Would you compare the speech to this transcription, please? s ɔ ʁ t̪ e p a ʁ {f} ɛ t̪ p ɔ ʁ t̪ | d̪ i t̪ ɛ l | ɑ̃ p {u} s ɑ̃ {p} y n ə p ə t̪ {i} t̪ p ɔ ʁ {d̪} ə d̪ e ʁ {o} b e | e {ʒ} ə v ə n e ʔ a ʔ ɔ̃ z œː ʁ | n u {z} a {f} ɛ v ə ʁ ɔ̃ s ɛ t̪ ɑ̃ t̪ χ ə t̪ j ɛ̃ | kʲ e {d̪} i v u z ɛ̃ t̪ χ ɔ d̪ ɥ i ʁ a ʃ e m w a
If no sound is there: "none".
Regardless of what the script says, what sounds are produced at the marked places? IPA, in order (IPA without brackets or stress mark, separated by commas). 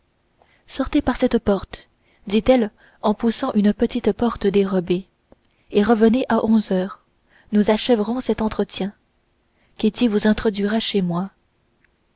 s, u, ʔ, i, t̪, ɔ, ʁ, z, ʃ, t̪